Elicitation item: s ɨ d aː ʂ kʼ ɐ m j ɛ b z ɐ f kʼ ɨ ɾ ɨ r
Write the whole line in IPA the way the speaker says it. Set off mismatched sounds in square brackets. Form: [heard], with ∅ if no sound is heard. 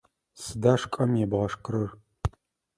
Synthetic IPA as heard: s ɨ d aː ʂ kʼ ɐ m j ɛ b [ʁ] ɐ [ʂ] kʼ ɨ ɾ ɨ r